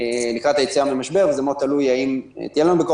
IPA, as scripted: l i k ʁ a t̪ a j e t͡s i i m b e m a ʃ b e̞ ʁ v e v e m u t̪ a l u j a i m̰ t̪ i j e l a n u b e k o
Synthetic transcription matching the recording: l i k ʁ a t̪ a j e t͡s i a m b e m a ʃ b e̞ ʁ v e z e m o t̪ a l u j a i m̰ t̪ i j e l a n u b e k o